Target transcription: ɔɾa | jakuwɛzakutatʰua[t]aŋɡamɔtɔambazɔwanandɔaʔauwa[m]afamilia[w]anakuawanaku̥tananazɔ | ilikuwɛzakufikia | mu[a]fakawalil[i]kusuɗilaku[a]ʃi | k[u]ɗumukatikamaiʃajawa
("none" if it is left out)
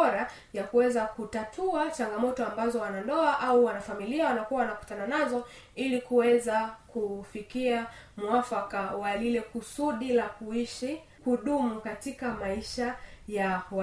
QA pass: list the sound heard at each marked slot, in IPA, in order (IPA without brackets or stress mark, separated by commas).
t͡ʃ, n, w, a, ɛ, i, u